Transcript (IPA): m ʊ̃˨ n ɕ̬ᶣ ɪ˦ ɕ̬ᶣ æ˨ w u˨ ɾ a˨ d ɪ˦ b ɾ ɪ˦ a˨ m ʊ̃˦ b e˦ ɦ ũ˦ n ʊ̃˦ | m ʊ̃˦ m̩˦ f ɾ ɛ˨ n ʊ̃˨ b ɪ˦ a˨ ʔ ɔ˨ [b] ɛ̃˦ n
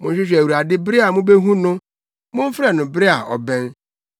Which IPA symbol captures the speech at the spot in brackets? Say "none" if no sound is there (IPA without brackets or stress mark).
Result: b